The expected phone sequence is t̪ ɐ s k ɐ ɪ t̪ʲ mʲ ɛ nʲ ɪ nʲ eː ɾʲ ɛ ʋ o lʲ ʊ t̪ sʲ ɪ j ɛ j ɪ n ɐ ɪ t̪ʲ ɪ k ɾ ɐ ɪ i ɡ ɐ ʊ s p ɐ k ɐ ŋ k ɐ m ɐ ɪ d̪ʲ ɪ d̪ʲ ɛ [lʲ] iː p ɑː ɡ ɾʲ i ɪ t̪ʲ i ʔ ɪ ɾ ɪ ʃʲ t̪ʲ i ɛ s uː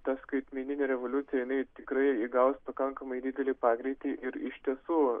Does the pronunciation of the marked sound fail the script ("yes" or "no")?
no